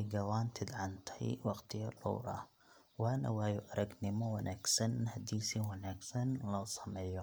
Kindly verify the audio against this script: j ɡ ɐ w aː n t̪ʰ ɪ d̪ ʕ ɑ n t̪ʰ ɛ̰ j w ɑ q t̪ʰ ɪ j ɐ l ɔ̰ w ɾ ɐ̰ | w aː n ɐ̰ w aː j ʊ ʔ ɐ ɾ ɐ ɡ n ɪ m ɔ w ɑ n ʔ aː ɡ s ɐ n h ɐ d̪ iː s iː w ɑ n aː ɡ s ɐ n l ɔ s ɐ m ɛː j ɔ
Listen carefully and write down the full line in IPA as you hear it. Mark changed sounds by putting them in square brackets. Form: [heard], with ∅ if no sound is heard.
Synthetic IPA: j ɡ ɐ w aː n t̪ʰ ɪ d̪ ʕ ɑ n t̪ʰ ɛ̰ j w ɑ q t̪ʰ ɪ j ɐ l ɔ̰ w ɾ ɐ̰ | w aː n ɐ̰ w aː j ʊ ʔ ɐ ɾ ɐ ɡ n ɪ m ɔ w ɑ n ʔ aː ɡ s ɐ n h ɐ d̪ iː s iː w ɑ n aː ɡ s ɐ n l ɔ s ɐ m ɛː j ɔ